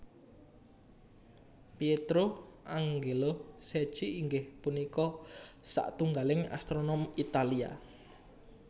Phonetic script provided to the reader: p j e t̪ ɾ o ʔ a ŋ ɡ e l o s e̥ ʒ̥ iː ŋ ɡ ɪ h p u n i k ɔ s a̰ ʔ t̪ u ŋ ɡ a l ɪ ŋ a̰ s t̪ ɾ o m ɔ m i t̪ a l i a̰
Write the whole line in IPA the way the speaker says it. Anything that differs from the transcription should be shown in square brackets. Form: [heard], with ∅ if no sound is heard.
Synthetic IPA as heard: p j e t̪ ɾ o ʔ a ŋ ɡ e l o s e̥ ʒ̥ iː ŋ ɡ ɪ h p u n i k ɔ s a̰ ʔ t̪ u ŋ ɡ a l ɪ ŋ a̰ s t̪ ɾ o [n] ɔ m i t̪ a l i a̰